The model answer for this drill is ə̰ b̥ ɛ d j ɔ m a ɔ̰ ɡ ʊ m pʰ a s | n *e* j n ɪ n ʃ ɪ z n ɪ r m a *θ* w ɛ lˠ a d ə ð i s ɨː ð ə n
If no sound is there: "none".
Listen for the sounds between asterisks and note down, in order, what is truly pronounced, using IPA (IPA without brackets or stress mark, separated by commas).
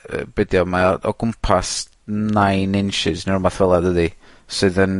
a, θ